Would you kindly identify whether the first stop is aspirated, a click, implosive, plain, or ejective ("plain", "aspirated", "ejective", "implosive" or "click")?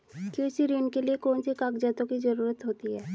plain